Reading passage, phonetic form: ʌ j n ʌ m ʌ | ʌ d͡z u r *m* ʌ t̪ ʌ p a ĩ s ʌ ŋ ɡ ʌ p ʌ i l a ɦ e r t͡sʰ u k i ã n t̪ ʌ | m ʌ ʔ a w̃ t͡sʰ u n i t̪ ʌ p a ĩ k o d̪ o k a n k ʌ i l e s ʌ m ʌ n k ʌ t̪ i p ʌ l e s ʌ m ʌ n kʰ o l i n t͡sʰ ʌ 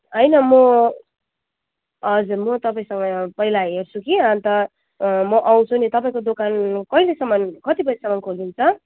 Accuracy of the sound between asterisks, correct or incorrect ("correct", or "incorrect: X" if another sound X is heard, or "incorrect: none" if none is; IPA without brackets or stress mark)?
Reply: correct